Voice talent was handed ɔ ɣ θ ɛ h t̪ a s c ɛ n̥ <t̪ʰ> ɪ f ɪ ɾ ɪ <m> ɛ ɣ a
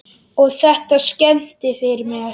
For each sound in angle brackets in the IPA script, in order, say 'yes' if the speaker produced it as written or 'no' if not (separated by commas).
no, yes